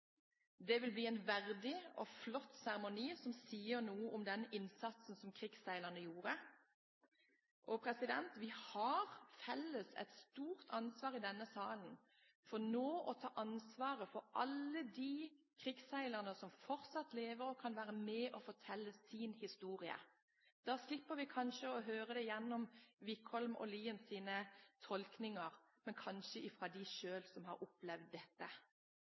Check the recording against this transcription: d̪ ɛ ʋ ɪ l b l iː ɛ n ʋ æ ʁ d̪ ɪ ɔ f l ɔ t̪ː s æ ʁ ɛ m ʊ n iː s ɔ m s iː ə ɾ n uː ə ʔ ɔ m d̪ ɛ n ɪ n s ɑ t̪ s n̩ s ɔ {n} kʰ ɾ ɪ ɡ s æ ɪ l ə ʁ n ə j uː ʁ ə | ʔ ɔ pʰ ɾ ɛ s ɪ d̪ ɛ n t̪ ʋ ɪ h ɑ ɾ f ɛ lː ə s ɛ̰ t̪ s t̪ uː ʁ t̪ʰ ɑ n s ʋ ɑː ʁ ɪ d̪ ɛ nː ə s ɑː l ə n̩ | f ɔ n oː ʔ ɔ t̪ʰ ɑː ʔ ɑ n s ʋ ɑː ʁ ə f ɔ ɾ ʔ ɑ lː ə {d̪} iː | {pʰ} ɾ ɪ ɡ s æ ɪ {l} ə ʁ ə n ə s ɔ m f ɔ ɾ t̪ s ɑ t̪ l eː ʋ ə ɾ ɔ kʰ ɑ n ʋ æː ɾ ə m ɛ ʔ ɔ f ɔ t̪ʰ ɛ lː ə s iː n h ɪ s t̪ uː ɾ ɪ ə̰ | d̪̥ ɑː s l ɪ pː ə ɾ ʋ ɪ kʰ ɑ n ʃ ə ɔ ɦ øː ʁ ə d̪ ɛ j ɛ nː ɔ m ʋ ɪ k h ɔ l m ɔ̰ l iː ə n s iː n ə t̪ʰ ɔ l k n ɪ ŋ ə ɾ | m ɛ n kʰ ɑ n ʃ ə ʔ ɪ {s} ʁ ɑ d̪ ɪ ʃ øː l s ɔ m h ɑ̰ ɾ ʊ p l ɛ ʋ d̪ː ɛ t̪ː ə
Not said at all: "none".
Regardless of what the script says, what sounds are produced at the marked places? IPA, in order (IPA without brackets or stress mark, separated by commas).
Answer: m, d̪, kʰ, l, f